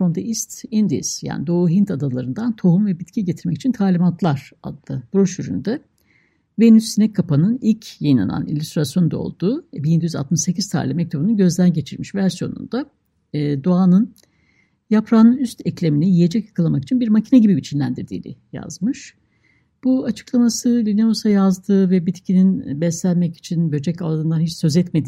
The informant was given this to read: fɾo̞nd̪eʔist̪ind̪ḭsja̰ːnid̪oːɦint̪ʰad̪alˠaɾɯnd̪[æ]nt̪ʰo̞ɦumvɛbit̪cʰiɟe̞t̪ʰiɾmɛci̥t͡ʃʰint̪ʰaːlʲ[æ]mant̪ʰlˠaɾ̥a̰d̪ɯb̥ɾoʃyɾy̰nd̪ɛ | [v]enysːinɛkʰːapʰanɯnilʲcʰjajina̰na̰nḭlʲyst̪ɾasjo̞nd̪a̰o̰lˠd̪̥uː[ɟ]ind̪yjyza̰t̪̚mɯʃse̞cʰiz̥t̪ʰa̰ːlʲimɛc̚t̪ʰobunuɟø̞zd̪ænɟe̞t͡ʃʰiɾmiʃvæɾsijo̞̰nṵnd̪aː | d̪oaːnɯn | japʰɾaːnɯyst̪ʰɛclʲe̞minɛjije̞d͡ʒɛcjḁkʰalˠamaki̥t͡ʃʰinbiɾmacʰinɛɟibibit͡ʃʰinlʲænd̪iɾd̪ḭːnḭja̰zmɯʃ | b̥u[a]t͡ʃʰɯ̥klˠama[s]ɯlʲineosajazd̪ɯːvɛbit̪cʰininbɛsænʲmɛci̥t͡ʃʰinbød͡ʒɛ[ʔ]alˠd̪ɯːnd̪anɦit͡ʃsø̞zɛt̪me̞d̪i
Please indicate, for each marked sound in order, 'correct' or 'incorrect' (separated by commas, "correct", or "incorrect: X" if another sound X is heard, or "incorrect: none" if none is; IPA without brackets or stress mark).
incorrect: a, incorrect: i, correct, incorrect: b, correct, correct, incorrect: c